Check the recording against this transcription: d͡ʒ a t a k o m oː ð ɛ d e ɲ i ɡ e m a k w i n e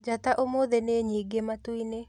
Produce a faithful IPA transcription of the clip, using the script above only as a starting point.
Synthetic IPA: d͡ʒ a t a ʔ o m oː ð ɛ n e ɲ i ɡ e m a t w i n e